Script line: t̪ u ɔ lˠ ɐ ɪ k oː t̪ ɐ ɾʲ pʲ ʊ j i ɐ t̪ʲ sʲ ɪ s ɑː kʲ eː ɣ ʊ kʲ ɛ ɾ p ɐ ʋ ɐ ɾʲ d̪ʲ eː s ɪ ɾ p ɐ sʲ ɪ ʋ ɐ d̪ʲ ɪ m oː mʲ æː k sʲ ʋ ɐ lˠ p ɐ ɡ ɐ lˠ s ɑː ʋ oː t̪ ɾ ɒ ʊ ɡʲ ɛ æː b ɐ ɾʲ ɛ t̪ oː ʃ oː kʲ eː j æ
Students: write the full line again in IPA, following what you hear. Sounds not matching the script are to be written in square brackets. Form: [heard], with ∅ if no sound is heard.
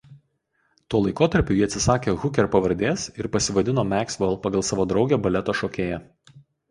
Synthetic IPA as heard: t̪ u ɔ lˠ ɐ ɪ k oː t̪ ɐ ɾʲ pʲ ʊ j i ɐ t̪ʲ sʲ ɪ s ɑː kʲ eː ɣ ʊ kʲ ɛ ɾ p ɐ ʋ ɐ ɾʲ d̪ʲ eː s ɪ ɾ p ɐ sʲ ɪ ʋ ɐ d̪ʲ ɪ [n] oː mʲ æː k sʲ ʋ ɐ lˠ p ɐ ɡ ɐ lˠ s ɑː ʋ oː [d̪] ɾ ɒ ʊ ɡʲ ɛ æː b ɐ [lʲ] ɛ t̪ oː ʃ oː kʲ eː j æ